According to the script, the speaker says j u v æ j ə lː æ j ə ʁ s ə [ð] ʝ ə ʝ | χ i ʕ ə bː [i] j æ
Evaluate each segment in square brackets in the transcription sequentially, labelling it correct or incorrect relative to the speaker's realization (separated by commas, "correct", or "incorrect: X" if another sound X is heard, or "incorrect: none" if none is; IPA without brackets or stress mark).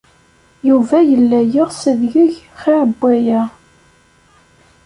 correct, incorrect: æ